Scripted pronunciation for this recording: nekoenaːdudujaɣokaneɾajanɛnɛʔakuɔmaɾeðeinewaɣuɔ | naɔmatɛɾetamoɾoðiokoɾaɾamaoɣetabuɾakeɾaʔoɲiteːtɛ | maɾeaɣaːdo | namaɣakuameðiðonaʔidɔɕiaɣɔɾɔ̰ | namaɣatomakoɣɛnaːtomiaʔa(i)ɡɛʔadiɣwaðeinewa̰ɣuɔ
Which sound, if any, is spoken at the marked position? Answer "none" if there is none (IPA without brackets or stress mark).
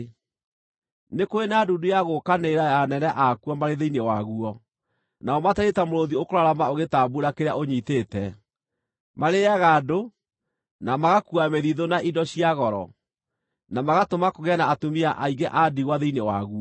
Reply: i